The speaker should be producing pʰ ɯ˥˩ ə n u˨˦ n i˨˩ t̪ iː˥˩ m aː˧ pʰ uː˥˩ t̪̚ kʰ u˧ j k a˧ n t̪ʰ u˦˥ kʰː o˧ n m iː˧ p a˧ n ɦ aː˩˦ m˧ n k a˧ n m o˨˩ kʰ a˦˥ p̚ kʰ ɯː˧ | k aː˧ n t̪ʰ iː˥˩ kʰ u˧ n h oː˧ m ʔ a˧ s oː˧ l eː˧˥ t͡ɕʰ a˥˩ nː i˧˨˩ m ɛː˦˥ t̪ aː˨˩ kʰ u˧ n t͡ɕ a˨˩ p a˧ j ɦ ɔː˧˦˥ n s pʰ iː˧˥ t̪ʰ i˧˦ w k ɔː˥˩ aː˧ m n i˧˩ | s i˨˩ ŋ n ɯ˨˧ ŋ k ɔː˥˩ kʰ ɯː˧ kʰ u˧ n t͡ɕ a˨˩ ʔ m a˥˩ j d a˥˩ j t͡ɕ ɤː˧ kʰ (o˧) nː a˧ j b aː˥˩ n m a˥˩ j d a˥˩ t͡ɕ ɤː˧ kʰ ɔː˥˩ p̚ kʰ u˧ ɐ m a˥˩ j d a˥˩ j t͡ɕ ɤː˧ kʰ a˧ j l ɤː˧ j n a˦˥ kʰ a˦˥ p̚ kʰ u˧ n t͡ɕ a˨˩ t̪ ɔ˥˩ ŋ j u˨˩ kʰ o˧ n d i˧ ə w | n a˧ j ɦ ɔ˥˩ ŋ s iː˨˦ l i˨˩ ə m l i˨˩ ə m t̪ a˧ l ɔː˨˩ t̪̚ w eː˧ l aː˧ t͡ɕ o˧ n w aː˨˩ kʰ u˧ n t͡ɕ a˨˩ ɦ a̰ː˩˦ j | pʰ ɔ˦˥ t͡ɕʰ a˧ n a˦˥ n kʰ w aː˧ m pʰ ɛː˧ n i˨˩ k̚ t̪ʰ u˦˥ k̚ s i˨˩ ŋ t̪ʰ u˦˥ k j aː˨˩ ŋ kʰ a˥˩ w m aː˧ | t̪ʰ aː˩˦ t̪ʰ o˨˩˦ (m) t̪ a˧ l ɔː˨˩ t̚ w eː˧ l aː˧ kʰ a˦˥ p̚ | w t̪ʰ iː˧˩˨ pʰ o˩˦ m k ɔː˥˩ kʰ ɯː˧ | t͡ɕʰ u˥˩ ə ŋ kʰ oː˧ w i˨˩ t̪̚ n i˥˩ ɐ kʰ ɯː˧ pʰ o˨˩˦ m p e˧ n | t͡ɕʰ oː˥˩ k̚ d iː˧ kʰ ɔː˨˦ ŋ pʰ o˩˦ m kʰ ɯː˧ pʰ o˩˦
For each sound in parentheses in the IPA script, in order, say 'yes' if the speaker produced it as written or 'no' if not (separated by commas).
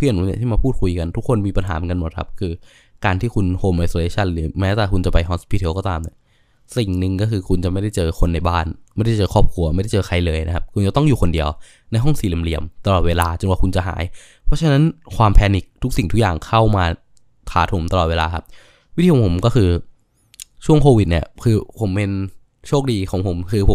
yes, yes